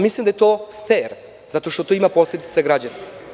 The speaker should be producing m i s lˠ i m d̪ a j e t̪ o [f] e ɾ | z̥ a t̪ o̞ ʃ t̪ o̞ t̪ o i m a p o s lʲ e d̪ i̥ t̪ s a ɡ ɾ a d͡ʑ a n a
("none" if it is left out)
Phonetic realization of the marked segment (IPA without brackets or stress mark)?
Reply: f